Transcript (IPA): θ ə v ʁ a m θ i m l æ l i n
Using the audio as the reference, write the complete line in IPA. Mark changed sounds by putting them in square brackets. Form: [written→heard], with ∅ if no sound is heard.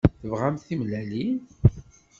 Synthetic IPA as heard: θ ə v ʁ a m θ i m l æ l i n

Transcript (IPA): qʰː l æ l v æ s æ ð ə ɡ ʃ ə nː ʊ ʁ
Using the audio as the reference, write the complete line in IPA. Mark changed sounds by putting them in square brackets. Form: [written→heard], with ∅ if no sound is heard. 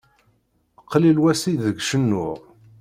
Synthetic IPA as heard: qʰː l [æ→i] l [v→w] æ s [æ→i] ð ə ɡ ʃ ə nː ʊ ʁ

